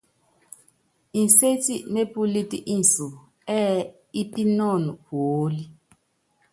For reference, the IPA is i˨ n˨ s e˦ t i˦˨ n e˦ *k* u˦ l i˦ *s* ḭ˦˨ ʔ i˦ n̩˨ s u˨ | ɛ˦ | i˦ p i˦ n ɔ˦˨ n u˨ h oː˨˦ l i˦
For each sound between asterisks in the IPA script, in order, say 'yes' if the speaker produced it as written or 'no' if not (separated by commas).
no, no